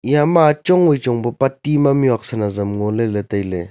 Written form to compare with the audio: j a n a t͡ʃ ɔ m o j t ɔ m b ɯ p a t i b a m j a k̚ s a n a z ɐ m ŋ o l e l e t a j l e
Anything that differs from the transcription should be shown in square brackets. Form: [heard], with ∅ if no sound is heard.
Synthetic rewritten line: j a [m] a t͡ʃ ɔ [ŋ] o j [t͡ʃ] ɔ [ŋ] b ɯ p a t i [m] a m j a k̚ s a n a z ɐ m ŋ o l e l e t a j l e

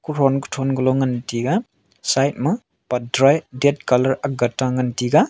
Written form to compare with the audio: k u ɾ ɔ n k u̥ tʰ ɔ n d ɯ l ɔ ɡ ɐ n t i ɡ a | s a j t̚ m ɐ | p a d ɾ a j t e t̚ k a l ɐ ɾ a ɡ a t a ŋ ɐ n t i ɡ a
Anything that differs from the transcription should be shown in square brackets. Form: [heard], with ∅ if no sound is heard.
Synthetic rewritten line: k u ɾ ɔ n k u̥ tʰ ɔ n [ɡ] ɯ l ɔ [ŋ] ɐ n t i ɡ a | s a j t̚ m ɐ | p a d ɾ a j [d] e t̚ k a l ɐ ɾ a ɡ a t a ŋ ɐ n t i ɡ a

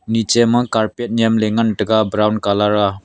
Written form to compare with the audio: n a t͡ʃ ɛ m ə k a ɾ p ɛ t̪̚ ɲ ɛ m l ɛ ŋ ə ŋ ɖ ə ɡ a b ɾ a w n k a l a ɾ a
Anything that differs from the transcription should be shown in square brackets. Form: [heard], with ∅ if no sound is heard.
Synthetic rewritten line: n [i] t͡ʃ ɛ m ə k a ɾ p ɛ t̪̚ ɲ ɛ m l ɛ ŋ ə [n] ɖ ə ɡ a b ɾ a w n k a l a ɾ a

